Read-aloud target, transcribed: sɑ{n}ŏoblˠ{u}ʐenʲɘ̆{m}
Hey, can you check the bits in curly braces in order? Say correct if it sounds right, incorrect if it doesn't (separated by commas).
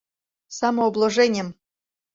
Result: incorrect, incorrect, correct